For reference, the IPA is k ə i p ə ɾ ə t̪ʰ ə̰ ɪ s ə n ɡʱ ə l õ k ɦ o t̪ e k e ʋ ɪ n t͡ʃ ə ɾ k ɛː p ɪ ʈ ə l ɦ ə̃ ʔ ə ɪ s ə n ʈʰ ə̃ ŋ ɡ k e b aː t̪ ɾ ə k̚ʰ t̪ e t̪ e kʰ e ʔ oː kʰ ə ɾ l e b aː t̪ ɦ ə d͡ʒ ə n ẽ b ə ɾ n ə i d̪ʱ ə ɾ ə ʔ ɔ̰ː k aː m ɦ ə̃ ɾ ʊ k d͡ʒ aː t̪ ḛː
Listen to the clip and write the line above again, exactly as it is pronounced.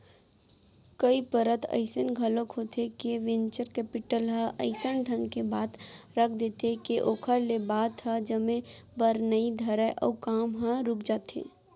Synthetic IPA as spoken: k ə i p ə ɾ ə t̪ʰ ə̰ ɪ s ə n ɡʱ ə l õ k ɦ o t̪ e k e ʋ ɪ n t͡ʃ ə ɾ k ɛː p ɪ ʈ ə l ɦ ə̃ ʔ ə ɪ s ə n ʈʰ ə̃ ŋ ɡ k e b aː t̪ ɾ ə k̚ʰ d̪ e t̪ e k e ʔ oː kʰ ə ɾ l e b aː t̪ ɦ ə d͡ʒ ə m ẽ b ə ɾ n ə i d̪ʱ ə ɾ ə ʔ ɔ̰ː k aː m ɦ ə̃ ɾ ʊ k d͡ʒ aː t̪ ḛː